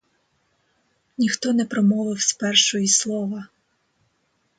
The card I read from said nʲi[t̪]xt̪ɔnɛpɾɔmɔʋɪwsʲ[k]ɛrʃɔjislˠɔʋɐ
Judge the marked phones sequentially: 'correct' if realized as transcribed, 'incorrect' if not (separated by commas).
incorrect, incorrect